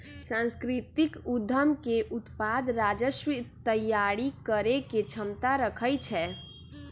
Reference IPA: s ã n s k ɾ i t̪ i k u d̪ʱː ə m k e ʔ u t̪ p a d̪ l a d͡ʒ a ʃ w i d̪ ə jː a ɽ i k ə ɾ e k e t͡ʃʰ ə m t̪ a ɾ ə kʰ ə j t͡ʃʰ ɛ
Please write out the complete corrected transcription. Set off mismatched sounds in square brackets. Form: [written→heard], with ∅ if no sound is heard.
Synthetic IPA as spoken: s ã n s k ɾ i t̪ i k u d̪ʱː ə m k e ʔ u t̪ p a d̪ [l→ɾ] a d͡ʒ [a→ə] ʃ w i [d̪→t̪] ə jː a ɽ i k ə ɾ e k e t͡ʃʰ ə m t̪ a ɾ ə kʰ ə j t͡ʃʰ ɛ